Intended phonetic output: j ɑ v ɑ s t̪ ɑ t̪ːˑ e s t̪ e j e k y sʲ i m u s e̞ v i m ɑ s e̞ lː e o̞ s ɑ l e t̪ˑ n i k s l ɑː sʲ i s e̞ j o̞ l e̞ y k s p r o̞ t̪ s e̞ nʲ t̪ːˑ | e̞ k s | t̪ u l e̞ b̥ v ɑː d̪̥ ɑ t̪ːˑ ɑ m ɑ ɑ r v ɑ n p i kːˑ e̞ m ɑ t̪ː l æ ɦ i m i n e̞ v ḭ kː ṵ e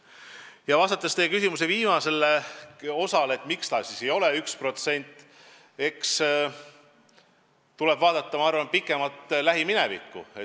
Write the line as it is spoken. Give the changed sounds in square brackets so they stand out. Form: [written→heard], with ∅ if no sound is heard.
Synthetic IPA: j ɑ v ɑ s t̪ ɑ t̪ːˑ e s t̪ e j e k y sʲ i m u s e̞ v [i→iː] m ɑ s e̞ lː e o̞ s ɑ l e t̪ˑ [n→m] i k s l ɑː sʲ i s e̞ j o̞ l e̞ y k s p r o̞ t̪ s e̞ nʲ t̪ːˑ | e̞ k s | t̪ u l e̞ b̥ v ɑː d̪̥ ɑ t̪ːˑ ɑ m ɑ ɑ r v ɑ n p i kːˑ e̞ m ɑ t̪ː l æ ɦ i m i n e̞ v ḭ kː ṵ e